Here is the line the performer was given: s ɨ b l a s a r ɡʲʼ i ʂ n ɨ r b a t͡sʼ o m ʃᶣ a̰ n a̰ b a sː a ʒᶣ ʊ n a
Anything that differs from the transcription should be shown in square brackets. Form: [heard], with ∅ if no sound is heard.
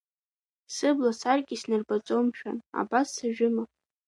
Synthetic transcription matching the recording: s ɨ b l a s a r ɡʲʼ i [s] n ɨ r b a t͡sʼ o m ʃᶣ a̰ n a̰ b a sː a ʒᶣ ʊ [m] a